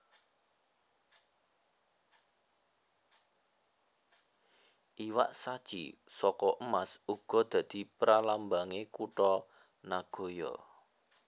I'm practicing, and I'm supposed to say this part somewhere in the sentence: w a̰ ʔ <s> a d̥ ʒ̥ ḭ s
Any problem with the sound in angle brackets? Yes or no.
no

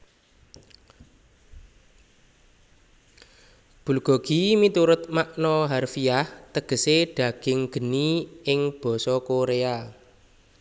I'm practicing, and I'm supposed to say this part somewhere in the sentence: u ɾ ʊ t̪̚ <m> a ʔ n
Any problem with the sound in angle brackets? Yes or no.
no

